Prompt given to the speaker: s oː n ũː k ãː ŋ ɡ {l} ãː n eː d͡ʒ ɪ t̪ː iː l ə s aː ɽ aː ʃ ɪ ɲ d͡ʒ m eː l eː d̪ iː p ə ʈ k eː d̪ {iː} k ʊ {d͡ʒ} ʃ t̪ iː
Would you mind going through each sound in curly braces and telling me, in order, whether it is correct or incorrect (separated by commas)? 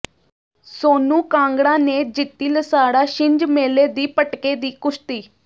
incorrect, correct, incorrect